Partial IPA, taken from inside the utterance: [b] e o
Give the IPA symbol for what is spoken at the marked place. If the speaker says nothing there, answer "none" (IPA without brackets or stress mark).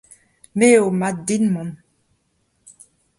m